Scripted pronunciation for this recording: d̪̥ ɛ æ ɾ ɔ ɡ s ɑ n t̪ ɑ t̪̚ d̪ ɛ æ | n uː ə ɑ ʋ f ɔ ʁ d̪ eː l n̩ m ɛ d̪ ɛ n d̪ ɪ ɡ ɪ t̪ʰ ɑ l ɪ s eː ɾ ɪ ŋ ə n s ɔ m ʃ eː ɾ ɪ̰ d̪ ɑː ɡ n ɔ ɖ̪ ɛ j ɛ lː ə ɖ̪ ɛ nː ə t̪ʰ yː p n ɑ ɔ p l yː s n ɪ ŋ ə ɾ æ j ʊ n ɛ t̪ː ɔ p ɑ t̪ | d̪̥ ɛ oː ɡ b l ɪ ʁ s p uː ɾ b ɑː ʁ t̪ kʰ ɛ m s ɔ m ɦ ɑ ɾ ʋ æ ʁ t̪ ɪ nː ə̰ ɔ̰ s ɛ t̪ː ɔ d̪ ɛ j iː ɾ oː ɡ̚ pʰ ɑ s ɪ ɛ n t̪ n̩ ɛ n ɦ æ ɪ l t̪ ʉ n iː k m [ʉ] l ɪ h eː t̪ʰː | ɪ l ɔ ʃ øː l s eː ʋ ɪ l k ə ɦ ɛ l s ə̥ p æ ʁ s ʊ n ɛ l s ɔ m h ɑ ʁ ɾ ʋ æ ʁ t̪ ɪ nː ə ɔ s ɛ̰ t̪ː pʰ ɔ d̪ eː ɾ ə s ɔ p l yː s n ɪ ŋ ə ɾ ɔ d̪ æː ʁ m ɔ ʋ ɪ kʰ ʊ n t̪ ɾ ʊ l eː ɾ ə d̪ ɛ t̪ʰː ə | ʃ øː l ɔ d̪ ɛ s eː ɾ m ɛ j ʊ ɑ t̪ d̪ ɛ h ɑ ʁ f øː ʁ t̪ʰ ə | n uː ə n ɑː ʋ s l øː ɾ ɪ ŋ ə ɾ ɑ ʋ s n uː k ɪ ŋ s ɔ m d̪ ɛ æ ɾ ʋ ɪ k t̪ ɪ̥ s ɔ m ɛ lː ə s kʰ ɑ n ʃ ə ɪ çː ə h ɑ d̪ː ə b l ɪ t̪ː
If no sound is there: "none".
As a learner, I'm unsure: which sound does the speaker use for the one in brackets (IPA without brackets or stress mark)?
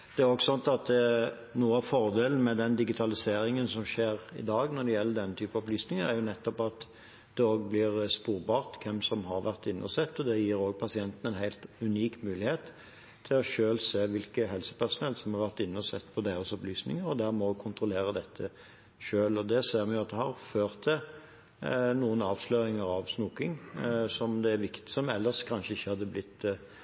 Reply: ʉː